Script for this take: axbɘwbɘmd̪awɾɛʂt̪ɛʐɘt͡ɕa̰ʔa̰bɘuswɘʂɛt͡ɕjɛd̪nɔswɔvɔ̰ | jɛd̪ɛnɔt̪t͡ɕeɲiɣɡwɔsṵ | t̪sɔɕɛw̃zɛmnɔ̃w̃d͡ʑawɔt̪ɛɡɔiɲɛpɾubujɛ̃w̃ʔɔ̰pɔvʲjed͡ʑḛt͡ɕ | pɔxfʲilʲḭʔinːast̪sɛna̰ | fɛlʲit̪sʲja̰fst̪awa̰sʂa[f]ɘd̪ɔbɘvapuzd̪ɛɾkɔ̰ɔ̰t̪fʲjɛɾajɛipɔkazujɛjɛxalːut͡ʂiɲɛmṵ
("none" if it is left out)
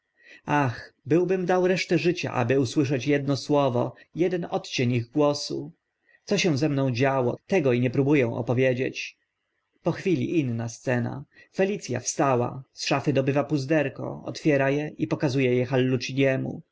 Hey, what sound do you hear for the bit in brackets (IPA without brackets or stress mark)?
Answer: f